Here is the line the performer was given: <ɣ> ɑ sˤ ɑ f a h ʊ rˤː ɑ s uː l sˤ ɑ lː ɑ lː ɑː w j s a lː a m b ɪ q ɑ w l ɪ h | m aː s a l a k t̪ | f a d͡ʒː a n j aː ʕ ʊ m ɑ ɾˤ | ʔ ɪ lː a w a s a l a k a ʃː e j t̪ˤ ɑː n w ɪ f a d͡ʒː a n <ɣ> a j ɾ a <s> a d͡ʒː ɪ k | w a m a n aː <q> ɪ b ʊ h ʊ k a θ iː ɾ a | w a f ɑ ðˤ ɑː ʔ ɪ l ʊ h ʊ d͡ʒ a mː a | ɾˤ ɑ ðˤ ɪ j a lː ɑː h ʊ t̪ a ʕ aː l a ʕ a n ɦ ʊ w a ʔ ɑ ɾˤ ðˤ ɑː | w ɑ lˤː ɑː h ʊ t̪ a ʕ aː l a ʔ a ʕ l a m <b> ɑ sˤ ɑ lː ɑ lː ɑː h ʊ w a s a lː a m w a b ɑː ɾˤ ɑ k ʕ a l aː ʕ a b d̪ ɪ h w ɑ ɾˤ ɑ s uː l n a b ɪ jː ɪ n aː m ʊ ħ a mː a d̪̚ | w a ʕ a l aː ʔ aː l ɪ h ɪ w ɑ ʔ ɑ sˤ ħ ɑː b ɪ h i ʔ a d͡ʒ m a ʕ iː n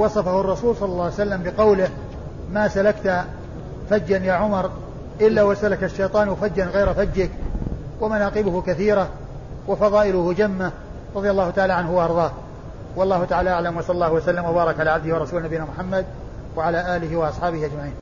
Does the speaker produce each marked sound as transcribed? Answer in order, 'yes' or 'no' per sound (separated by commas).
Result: no, yes, no, yes, no